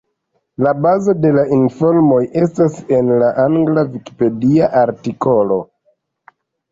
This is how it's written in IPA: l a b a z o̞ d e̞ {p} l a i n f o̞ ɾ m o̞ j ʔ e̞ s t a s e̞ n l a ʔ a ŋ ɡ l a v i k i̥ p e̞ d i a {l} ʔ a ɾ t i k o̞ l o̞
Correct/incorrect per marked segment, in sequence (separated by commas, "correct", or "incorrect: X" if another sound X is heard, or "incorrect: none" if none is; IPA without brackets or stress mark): incorrect: none, incorrect: none